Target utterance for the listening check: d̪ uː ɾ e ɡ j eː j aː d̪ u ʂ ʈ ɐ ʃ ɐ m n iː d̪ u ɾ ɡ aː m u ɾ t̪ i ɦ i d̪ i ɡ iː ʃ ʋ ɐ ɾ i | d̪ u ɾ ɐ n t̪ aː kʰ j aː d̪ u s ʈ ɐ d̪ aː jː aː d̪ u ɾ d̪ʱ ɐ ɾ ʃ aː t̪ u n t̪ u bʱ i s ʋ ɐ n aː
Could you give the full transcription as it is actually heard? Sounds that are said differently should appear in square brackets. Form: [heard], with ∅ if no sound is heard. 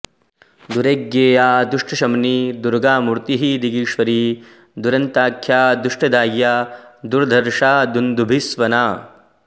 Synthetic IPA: d̪ [u] ɾ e ɡ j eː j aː d̪ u ʂ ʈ ɐ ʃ ɐ m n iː d̪ u ɾ ɡ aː m u ɾ t̪ i ɦ i d̪ i ɡ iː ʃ ʋ ɐ ɾ i | d̪ u ɾ ɐ n t̪ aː kʰ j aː d̪ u [ʂ] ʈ ɐ d̪ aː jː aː d̪ u ɾ d̪ʱ ɐ ɾ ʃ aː [d̪] u n [d̪] u bʱ i s ʋ ɐ n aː